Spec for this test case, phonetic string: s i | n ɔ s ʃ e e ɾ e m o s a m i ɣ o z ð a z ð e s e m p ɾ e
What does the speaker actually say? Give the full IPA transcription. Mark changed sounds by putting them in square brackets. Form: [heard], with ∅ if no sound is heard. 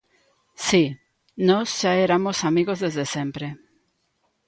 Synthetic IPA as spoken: s i | n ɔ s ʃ [a] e ɾ [a] m o s a m i ɣ o z ð [e] z ð e s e m p ɾ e